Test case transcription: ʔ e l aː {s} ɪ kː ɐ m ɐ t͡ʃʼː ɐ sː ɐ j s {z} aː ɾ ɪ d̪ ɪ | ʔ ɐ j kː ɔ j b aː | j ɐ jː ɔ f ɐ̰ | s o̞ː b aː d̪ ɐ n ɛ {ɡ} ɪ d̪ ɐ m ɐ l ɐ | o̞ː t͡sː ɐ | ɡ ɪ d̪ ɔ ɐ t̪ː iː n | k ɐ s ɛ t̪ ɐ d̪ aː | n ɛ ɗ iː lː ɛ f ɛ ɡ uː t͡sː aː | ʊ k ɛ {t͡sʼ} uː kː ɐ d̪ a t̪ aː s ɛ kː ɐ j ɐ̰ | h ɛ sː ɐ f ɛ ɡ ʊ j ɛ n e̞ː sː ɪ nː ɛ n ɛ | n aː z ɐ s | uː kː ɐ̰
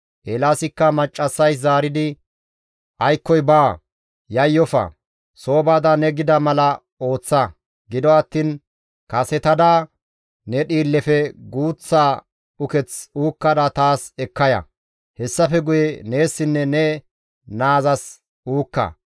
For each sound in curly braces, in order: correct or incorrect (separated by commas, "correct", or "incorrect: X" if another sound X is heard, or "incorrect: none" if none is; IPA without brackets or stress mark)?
correct, correct, correct, incorrect: t͡s